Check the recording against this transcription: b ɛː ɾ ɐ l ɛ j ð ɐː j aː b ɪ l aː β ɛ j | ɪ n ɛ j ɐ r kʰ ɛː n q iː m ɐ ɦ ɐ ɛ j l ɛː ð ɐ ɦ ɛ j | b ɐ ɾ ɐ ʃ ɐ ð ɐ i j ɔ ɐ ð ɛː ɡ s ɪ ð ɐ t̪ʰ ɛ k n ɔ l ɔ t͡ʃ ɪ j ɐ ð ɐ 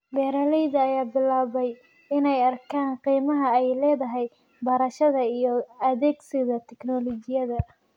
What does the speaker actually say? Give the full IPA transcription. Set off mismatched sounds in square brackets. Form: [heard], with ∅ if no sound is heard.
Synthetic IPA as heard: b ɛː ɾ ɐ l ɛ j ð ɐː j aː b ɪ l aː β ɛ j | ɪ n ɛ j ɐ r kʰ [aː] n q iː m ɐ ɦ ɐ ɛ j l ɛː ð ɐ ɦ ɛ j | b ɐ ɾ ɐ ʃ ɐ ð ɐ i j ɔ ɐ ð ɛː ɡ s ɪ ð ɐ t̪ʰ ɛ k n ɔ l ɔ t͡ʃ ɪ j ɐ ð ɐ